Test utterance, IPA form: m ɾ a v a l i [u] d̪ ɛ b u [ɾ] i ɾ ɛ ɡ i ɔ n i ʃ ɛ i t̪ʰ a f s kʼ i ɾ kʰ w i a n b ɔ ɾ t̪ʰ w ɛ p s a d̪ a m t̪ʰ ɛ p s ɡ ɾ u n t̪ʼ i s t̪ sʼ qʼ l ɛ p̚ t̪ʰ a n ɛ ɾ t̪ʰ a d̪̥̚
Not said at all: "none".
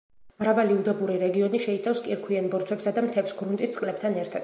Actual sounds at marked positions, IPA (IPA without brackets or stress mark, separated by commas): u, ɾ